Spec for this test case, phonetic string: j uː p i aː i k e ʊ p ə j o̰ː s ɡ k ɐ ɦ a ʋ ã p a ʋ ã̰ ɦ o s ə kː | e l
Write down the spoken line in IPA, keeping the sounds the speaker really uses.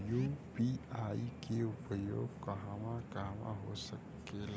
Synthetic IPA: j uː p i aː i k e ʊ p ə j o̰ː ɡ k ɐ ɦ a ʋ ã k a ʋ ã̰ ɦ o s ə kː | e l